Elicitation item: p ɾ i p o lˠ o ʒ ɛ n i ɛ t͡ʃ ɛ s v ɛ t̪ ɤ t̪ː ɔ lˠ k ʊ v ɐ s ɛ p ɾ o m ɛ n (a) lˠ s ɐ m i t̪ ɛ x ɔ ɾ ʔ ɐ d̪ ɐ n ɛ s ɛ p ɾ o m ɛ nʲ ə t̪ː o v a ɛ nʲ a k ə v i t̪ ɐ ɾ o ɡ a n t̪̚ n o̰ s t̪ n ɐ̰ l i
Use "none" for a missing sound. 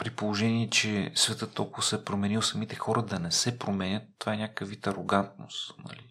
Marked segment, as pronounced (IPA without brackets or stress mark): i